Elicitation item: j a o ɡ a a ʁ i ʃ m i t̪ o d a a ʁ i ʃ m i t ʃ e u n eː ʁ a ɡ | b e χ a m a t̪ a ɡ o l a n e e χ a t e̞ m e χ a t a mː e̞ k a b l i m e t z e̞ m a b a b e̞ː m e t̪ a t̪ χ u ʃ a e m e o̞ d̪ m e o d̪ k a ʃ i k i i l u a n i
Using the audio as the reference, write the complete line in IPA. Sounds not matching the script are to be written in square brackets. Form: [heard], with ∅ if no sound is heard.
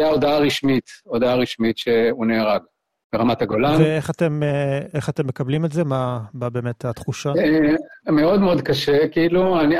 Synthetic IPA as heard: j a o [d] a a ʁ i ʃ m i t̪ o d a a ʁ i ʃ m i t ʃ e u n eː ʁ a ɡ | b e [ʁ] a m a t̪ a ɡ o l a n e e χ a t e̞ m e χ a t [e] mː e̞ k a b l i m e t z e̞ m a b a b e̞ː m e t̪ a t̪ χ u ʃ a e m e o̞ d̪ m e o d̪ k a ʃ [e] k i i l u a n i